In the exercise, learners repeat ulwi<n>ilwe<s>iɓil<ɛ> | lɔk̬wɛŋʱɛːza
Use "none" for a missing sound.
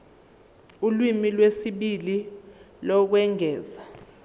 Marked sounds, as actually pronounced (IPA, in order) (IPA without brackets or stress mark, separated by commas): m, s, i